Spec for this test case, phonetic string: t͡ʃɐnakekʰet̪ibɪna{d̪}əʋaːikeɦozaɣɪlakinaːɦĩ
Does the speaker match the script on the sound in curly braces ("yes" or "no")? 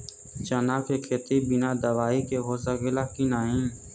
yes